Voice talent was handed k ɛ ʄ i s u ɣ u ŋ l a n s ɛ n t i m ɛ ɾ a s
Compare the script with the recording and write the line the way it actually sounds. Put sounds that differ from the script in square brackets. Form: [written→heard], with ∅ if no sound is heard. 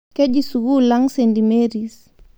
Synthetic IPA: k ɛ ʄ i s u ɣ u [ŋ→∅] l a [n→ŋ] s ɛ n [t→d] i m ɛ ɾ [a→i] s